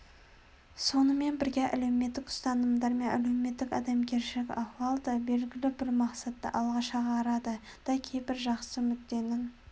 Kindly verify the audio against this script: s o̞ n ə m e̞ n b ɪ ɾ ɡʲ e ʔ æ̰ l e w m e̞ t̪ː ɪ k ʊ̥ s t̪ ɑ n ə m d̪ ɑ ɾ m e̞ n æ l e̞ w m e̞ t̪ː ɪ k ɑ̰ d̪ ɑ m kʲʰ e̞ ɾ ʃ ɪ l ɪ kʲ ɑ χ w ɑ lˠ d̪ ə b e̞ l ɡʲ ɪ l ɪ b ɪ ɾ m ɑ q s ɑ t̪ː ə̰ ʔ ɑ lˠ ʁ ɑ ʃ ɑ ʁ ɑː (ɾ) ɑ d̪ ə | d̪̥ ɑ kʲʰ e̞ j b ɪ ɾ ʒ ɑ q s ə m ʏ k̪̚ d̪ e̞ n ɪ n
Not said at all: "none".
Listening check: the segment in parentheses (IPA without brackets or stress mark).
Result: ɾ